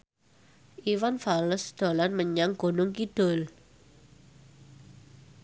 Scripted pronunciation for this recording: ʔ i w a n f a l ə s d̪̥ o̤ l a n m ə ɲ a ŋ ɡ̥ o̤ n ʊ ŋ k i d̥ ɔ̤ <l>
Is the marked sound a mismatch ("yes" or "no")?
no